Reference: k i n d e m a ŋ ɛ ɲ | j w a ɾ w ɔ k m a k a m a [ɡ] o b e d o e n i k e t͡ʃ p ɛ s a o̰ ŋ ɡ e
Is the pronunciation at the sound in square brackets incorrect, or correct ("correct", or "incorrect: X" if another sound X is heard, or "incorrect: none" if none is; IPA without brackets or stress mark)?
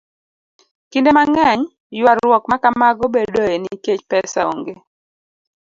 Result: correct